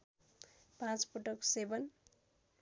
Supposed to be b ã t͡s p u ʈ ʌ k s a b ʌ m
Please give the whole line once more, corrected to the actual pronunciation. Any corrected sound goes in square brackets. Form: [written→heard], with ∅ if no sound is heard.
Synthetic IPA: [b→p] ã t͡s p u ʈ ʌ k s [a→e] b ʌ [m→n]